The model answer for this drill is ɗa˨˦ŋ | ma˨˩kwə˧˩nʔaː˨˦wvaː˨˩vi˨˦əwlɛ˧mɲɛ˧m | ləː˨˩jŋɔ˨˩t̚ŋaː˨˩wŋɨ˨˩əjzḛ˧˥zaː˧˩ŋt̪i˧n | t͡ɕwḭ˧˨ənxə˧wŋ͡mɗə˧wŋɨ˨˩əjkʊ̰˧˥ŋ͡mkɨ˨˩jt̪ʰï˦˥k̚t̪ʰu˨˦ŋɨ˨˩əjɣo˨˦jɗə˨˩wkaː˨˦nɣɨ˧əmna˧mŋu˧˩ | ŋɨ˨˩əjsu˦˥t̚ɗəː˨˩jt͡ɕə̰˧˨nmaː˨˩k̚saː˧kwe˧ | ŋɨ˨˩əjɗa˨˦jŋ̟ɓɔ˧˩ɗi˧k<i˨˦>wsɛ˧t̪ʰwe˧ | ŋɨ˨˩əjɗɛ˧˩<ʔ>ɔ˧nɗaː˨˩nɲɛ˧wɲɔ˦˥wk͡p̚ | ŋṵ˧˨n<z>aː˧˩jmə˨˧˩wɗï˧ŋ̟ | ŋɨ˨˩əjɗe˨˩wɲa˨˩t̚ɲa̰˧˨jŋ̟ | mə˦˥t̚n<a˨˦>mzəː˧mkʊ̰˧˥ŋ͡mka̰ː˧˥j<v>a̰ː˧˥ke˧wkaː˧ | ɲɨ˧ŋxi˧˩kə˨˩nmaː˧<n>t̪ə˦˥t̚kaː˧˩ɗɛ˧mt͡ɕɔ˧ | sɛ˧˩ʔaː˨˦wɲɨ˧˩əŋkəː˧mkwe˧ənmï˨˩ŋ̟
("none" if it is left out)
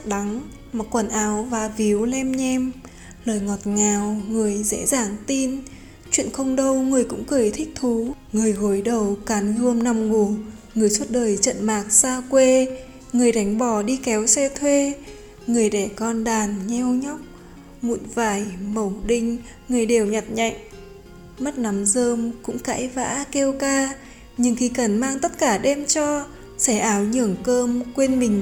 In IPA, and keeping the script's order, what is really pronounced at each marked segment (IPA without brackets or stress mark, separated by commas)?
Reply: ɛ˨˦, k, v, a˨˦, v, ŋ